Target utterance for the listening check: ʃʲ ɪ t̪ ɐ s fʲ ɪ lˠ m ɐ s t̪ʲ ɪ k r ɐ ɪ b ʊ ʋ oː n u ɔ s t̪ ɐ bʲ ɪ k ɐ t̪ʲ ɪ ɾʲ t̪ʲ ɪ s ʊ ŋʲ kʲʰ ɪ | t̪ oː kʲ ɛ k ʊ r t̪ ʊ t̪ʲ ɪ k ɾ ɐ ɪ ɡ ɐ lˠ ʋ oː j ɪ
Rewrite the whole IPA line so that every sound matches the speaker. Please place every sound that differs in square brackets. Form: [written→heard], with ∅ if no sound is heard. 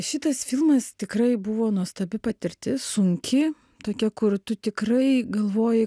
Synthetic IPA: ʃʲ ɪ t̪ ɐ s fʲ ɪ lˠ m ɐ s t̪ʲ ɪ k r ɐ ɪ b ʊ ʋ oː n u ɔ s t̪ ɐ bʲ ɪ [k→p] ɐ t̪ʲ ɪ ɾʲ t̪ʲ ɪ s ʊ ŋʲ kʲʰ ɪ | t̪ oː kʲ ɛ k ʊ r t̪ ʊ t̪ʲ ɪ k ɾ ɐ ɪ ɡ ɐ lˠ ʋ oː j ɪ